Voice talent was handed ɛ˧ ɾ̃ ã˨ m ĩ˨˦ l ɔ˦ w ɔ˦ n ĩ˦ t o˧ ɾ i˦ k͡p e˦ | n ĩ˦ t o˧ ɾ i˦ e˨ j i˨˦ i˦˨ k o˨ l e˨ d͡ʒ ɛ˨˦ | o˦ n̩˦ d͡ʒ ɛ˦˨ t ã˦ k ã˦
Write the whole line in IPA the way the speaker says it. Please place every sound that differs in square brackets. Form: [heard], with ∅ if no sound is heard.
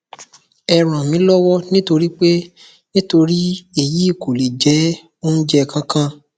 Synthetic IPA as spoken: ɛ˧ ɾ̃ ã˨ m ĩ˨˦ l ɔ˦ w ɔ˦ n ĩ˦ t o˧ ɾ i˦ k͡p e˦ | n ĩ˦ t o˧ ɾ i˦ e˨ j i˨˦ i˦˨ k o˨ l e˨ d͡ʒ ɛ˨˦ | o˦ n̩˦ d͡ʒ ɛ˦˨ [k] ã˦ k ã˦